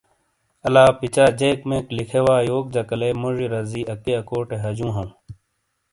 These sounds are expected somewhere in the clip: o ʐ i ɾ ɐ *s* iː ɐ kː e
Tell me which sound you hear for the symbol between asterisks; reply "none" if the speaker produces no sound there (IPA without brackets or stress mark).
z